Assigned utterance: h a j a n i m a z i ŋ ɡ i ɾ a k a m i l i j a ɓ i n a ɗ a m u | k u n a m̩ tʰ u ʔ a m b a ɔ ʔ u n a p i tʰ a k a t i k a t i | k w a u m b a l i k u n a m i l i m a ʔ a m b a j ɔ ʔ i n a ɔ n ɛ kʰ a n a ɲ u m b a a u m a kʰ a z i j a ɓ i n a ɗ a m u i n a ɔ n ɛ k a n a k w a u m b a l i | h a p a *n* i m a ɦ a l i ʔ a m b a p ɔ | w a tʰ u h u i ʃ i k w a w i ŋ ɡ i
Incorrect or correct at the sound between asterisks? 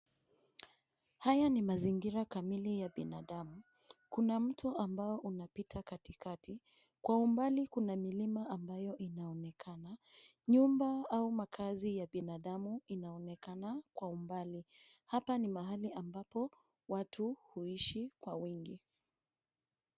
correct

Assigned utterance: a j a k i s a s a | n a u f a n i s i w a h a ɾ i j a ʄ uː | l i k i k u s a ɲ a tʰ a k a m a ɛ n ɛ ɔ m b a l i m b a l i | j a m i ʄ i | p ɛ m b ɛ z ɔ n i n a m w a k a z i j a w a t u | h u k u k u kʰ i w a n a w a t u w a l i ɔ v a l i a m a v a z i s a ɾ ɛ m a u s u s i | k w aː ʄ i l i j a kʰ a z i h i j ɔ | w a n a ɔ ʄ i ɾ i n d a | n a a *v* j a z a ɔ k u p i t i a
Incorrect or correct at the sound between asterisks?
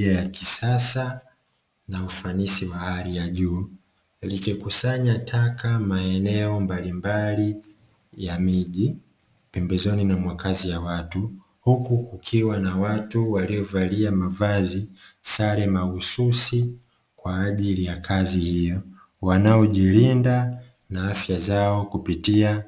incorrect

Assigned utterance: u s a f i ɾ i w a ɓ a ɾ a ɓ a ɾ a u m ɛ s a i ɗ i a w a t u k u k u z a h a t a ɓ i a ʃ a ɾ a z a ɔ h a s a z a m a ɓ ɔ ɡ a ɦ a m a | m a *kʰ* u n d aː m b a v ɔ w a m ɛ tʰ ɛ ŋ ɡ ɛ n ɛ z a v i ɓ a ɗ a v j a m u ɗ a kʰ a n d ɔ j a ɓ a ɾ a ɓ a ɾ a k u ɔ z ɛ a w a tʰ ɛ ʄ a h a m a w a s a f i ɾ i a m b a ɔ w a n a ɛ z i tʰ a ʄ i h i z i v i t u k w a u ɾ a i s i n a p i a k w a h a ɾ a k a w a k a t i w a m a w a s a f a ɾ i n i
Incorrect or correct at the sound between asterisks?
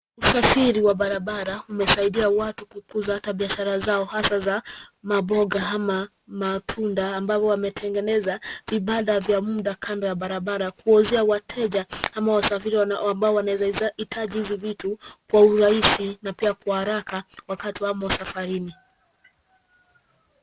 incorrect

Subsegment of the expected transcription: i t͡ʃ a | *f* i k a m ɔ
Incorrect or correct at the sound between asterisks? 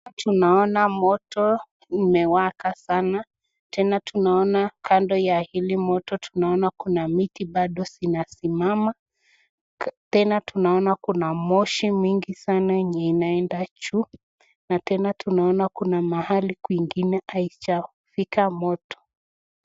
correct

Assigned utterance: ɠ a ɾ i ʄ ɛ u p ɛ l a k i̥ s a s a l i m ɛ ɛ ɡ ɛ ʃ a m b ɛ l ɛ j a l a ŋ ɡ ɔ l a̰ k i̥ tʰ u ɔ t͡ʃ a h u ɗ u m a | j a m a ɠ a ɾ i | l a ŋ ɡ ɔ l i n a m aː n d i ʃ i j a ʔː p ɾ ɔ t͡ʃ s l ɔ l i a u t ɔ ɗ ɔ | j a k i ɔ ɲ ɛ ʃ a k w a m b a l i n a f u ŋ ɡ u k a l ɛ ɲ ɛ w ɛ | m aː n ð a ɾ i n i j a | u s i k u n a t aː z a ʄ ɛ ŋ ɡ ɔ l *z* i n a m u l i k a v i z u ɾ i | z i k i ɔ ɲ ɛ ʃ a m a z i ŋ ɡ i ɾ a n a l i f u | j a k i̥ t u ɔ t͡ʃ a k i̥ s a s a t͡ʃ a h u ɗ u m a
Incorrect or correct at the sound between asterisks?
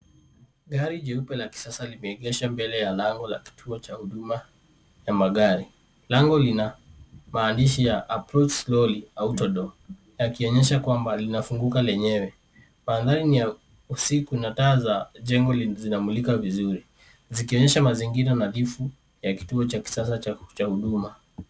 correct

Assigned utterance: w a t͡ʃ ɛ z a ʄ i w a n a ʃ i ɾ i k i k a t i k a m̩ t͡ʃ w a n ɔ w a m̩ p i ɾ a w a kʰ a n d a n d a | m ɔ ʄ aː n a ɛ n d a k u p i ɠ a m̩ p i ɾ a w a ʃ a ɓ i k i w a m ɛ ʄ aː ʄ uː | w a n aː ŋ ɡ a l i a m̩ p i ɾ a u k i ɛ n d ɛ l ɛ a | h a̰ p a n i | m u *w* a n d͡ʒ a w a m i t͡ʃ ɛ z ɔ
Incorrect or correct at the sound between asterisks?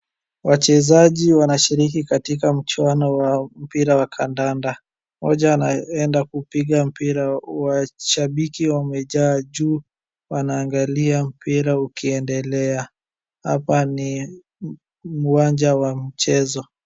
correct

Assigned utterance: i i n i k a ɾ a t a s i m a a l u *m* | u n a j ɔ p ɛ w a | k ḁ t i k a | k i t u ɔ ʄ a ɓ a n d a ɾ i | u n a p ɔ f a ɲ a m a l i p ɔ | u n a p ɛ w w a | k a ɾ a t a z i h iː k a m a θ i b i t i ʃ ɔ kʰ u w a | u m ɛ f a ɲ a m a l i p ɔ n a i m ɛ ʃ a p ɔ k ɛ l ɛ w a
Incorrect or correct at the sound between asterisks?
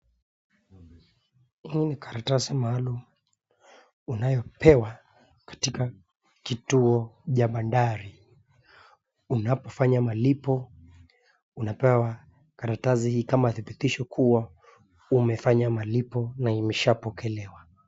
correct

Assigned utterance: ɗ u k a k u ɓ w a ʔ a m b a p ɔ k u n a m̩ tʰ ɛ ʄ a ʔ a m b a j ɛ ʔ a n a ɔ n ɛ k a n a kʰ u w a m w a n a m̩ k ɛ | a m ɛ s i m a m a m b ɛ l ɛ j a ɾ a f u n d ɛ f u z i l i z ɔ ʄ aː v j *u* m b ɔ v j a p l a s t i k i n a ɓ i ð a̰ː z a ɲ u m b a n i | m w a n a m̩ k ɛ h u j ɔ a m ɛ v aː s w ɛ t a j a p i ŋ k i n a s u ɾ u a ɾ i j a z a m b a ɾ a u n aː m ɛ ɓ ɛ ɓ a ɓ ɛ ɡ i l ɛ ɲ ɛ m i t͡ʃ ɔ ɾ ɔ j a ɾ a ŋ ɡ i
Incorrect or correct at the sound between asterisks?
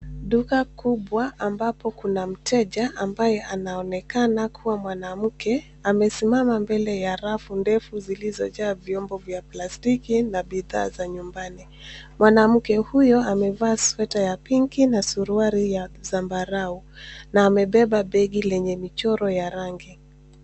incorrect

